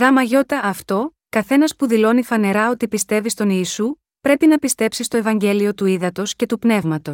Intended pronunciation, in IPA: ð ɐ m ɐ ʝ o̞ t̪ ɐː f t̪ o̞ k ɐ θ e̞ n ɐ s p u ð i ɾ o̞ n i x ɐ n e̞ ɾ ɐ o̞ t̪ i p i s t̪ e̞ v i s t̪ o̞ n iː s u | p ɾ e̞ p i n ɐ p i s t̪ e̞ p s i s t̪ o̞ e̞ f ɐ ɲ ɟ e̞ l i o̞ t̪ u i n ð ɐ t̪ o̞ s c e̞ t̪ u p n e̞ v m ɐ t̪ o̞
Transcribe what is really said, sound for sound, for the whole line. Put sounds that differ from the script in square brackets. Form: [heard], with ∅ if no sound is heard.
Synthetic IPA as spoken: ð ɐ m ɐ ʝ o̞ t̪ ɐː f t̪ o̞ k ɐ θ e̞ n ɐ s p u ð i [l] o̞ n i [f] ɐ n e̞ ɾ ɐ o̞ t̪ i p i s t̪ e̞ v i s t̪ o̞ n iː s u | p ɾ e̞ p i n ɐ p i s t̪ e̞ p s i s t̪ o̞ e̞ [v] ɐ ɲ ɟ e̞ l i o̞ t̪ u i [∅] ð ɐ t̪ o̞ s c e̞ t̪ u p n e̞ v m ɐ t̪ o̞